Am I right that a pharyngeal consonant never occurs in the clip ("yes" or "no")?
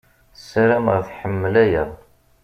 no